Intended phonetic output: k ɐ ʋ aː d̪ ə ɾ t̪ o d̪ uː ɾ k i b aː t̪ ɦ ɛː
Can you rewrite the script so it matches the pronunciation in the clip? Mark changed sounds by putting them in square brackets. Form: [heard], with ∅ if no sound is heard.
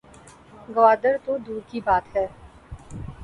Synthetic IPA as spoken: [ɡ] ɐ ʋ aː d̪ ə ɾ t̪ o d̪ uː ɾ k i b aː t̪ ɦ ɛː